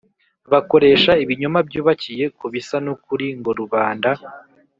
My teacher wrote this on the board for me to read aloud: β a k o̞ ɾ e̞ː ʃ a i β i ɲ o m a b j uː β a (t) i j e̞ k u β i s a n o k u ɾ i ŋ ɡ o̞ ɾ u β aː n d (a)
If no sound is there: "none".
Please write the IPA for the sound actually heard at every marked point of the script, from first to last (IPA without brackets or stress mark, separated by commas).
c, a